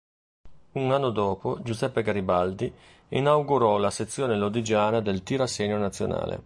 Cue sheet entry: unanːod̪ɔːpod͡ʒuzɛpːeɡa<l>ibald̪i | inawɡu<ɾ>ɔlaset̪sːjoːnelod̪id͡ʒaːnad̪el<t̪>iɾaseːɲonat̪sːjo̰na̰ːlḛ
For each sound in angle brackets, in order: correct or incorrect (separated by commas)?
incorrect, correct, correct